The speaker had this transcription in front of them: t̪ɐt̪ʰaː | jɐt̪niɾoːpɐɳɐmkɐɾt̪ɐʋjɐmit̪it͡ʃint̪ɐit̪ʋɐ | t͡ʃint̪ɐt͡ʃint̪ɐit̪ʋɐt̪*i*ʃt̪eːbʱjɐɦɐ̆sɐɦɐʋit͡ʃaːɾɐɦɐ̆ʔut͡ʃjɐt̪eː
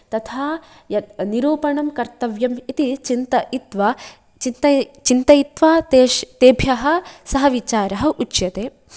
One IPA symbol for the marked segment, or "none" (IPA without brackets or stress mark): e